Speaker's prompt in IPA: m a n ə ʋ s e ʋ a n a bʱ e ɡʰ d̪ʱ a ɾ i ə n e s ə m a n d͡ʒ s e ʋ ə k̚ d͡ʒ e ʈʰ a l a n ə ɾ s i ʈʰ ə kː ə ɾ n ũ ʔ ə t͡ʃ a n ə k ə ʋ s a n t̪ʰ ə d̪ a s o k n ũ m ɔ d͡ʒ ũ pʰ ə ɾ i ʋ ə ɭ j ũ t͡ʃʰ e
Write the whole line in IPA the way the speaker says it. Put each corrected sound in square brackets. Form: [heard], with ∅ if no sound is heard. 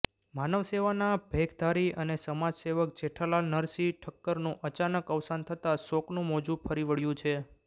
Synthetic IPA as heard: m a n ə ʋ s e ʋ a n a bʱ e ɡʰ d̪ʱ a ɾ i ə n e s ə m a [∅] d͡ʒ s e ʋ ə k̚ d͡ʒ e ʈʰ a l a n ə ɾ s i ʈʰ ə kː ə ɾ n ũ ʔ ə t͡ʃ a n ə k ə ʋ s a n t̪ʰ ə [t̪] a s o k n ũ m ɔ d͡ʒ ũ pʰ ə ɾ i ʋ ə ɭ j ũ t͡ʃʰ e